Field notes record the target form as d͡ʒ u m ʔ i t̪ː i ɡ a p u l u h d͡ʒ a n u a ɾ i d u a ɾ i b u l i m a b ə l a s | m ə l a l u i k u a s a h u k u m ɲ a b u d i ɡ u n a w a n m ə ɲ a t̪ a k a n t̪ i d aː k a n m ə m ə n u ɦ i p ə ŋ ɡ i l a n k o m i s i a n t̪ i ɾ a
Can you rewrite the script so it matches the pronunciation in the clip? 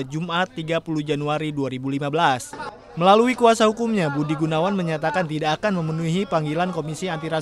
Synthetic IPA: d͡ʒ u m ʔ a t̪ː i ɡ a p u l u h d͡ʒ a n u a ɾ i d u a ɾ i b u l i m a b ə l a s | m ə l a l u i k u a s a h u k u m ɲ a b u d i ɡ u n a w a n m ə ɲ a t̪ a k a n t̪ i d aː k a n m ə m ə n u ɦ i p a ŋ ɡ i l a n k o m i s i a n t̪ i ɾ a